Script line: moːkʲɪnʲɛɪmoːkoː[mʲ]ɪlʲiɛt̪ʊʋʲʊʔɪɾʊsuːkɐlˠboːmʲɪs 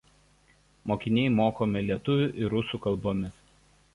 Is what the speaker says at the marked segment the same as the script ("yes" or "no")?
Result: yes